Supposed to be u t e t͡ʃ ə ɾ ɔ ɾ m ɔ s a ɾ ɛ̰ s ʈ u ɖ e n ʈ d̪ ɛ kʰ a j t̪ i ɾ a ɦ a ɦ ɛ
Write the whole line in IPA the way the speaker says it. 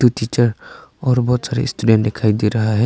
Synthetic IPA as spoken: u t i t͡ʃ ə ɾ ɔ ɾ b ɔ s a ɾ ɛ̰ s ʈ u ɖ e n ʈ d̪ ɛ kʰ a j d̪ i ɾ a ɦ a ɦ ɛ